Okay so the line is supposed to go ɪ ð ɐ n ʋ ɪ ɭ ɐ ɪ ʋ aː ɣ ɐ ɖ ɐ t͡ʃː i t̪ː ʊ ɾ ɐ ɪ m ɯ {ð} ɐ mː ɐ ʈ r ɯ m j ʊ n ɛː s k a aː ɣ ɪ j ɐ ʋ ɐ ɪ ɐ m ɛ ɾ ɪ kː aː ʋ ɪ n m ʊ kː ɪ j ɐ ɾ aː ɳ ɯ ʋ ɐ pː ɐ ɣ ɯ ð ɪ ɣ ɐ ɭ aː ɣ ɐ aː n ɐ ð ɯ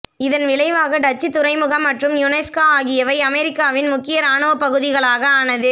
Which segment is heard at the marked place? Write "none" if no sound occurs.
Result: ɣ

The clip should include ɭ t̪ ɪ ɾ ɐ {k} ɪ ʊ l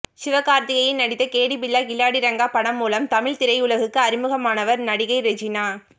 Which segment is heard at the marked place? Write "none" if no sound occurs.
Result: none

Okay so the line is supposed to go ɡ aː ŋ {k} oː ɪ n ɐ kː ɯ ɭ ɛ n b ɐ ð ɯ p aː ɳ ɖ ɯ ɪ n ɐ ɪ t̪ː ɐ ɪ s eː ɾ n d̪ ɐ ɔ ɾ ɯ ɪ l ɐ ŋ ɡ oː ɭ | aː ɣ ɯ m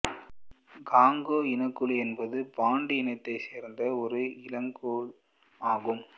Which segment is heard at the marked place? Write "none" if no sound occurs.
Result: ɡ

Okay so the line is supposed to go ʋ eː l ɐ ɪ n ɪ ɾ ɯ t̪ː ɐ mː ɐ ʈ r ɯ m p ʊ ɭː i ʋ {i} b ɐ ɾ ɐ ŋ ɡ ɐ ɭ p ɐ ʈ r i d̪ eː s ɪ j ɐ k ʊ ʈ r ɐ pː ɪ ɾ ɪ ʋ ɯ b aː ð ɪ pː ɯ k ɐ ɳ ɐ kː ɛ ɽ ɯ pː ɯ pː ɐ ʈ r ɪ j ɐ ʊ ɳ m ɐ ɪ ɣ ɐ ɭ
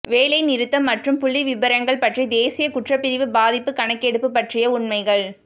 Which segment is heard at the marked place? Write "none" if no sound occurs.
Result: ɪ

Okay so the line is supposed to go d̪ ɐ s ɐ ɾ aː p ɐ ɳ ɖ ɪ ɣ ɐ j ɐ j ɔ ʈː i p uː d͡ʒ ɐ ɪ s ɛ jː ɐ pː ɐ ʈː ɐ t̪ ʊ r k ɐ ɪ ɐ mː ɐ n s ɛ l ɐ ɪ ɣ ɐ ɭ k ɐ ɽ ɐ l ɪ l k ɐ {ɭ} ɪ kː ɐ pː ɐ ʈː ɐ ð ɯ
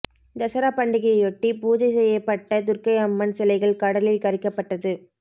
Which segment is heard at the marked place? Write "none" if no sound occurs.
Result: ɾ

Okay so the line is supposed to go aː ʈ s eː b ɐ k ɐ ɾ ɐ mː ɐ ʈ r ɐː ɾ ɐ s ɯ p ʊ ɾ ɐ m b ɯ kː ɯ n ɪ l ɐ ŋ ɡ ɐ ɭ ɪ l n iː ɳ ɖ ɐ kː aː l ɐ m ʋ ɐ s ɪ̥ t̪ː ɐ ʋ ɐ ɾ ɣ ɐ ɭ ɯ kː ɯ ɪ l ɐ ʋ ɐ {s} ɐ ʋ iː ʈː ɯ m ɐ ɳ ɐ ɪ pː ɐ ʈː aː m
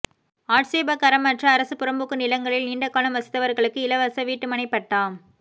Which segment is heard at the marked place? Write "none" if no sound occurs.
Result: s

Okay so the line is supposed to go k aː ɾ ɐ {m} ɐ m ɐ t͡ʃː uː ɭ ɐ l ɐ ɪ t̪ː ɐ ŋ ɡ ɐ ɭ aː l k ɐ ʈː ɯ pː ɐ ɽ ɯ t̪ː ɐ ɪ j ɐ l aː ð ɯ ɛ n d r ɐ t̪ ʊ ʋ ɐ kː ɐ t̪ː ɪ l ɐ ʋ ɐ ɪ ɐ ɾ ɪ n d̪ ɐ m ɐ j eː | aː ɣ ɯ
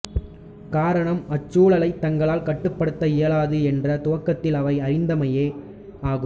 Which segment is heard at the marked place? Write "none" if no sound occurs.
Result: ɳ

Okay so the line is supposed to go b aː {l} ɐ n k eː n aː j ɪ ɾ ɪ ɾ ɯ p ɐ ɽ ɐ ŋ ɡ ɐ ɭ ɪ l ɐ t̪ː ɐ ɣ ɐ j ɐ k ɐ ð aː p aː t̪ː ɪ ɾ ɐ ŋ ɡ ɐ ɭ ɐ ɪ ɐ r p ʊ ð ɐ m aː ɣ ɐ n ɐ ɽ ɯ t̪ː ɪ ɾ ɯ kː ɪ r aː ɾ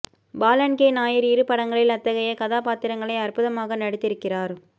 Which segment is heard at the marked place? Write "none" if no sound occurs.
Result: l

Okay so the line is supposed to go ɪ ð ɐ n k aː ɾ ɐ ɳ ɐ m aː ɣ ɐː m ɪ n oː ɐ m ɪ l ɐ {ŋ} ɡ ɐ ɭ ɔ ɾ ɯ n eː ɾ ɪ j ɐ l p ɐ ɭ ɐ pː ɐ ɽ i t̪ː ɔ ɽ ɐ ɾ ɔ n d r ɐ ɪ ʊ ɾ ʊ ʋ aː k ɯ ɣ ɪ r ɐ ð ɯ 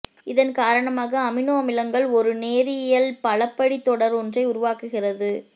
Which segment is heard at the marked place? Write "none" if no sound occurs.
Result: ŋ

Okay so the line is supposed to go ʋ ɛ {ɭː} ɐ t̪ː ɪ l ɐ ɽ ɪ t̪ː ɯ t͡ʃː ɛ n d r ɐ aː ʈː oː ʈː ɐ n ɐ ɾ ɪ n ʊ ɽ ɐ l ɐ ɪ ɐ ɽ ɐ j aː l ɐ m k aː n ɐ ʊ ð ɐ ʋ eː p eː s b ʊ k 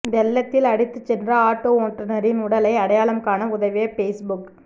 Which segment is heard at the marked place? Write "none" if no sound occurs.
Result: lː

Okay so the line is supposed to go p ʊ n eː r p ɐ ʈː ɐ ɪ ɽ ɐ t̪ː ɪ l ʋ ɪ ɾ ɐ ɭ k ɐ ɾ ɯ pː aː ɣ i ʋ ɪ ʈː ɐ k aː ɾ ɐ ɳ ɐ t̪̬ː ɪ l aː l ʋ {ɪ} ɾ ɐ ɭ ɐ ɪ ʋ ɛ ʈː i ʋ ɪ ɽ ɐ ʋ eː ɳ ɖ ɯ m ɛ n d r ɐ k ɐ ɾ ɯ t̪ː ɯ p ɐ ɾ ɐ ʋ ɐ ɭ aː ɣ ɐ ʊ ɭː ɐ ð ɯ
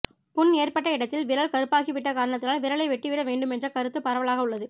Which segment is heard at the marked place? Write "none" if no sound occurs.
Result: ɪ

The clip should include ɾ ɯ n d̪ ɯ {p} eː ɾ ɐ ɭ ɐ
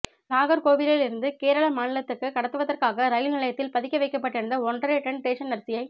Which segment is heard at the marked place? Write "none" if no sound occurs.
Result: k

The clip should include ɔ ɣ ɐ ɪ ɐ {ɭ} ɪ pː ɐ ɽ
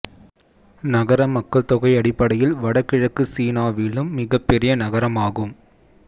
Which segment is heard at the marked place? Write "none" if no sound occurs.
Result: ɽ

